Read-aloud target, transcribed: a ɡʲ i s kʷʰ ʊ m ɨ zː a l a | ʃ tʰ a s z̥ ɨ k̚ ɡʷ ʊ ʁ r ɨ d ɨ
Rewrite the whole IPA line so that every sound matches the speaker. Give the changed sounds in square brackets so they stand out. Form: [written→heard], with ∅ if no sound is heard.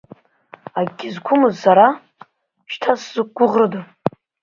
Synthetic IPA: a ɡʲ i [s→z] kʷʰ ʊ m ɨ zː a [l→ɾ] a | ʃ tʰ a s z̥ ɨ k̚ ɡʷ ʊ ʁ r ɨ d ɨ

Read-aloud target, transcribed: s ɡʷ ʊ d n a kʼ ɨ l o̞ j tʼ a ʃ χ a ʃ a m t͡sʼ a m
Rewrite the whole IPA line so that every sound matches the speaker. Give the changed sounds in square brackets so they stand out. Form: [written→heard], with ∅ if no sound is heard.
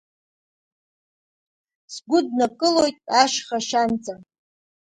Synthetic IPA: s ɡʷ ʊ d n a kʼ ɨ l o̞ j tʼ a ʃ χ a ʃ a [m→n] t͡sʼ a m

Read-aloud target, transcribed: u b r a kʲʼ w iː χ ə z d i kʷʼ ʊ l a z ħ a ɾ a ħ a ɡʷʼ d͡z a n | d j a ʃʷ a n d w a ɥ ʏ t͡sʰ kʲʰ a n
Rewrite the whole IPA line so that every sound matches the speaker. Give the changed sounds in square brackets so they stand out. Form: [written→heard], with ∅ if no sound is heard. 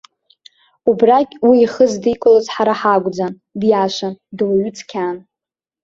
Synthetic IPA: u b r a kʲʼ w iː χ ə z d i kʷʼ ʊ l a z ħ a ɾ a ħ a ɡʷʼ d͡z a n | d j a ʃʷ a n d w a ɥ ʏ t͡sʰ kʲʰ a n

